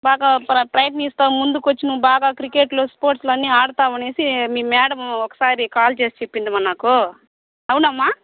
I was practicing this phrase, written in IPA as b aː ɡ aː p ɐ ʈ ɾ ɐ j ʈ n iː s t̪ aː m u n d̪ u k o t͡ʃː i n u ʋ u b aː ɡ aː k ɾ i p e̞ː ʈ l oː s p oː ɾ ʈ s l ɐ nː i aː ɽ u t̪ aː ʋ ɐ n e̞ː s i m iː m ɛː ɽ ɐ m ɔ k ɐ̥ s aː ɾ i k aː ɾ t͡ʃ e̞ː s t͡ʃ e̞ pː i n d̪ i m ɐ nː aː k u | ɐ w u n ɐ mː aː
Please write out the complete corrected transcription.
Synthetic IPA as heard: b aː ɡ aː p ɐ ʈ ɾ ɐ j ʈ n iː s t̪ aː m u n d̪ u k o t͡ʃː i n u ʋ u b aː ɡ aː k ɾ i k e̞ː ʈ l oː s p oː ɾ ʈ s l ɐ nː i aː ɽ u t̪ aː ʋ ɐ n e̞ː s i m iː m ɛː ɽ ɐ m ɔ k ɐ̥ s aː ɾ i k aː l t͡ʃ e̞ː s t͡ʃ e̞ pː i n d̪ i m ɐ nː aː k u | ɐ w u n ɐ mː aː